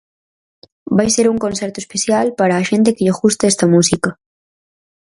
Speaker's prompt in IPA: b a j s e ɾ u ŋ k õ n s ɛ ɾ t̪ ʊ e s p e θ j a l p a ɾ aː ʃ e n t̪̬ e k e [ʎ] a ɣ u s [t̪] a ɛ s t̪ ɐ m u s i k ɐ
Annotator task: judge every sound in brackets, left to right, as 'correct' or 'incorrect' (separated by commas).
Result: correct, correct